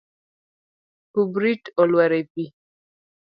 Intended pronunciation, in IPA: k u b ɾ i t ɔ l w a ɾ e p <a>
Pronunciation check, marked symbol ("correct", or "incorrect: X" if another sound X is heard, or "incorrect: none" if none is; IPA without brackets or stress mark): incorrect: i